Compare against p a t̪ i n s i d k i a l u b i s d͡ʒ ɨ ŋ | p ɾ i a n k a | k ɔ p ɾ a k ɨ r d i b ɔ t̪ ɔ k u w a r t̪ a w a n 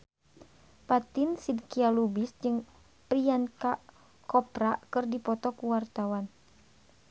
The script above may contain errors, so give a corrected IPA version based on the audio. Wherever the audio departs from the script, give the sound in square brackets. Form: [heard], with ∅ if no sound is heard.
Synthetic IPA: p a t̪ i n s i d k i a l u b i s d͡ʒ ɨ ŋ | p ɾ i a n k a | k ɔ p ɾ a k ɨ r d i [p] ɔ t̪ ɔ k u w a r t̪ a w a n